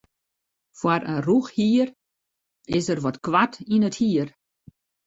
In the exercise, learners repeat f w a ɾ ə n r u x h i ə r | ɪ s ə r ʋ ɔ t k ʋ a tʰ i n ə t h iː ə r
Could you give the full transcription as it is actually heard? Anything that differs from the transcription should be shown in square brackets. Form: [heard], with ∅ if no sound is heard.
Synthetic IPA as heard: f w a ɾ ə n r u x h i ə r | ɪ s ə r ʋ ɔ t k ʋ a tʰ i n ə t h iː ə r